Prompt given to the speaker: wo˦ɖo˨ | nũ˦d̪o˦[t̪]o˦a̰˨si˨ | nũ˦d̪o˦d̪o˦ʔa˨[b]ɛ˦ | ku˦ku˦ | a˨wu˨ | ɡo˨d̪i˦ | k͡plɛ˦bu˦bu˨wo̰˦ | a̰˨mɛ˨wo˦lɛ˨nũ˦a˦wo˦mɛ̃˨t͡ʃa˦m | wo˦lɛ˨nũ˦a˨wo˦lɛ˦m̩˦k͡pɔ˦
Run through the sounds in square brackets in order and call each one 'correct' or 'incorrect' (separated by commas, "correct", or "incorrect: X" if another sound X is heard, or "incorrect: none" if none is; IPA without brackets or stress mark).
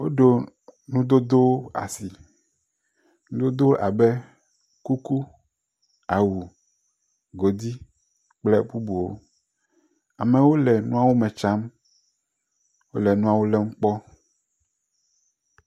incorrect: d̪, correct